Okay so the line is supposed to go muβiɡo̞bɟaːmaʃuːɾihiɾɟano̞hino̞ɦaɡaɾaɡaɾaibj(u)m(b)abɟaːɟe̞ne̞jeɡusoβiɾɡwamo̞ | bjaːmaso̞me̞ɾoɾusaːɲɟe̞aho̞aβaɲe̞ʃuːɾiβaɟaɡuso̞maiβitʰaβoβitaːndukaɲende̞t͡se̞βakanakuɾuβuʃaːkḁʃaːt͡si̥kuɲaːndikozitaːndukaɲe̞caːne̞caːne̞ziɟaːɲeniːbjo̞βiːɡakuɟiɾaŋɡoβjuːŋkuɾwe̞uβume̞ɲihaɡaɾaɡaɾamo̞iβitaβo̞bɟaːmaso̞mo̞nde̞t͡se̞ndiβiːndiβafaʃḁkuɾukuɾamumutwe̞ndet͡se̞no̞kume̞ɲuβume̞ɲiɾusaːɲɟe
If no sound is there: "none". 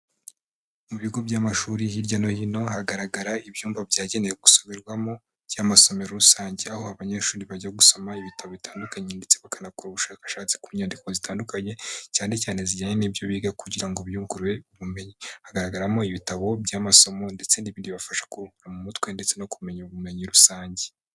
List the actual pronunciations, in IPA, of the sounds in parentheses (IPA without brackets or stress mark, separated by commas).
uː, v